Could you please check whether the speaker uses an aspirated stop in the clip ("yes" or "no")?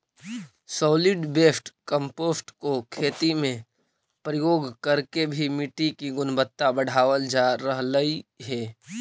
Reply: yes